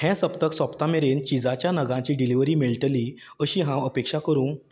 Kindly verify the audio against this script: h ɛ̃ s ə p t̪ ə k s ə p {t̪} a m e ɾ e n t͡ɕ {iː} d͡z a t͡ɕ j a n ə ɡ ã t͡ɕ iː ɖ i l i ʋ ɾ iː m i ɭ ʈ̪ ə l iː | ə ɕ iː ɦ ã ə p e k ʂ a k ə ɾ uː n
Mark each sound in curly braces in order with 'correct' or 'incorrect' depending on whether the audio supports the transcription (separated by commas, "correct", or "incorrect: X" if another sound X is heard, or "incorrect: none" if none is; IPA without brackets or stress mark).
correct, incorrect: i